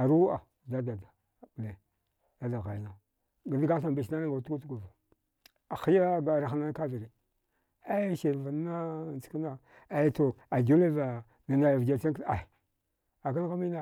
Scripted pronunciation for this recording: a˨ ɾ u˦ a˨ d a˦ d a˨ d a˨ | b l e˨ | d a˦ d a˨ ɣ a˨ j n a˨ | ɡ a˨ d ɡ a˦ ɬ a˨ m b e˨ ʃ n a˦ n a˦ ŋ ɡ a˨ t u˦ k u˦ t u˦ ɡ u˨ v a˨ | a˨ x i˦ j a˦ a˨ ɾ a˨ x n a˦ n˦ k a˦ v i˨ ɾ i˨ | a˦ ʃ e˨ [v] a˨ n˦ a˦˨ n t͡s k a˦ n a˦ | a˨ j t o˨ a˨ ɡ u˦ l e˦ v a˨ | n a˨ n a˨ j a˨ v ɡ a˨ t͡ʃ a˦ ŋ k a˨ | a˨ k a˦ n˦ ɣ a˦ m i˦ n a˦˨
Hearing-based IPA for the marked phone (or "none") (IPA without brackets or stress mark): v